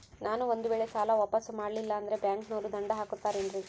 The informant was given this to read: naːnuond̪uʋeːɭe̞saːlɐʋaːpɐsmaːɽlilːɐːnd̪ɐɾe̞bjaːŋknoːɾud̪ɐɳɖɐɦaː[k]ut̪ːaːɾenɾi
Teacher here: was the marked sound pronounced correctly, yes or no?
yes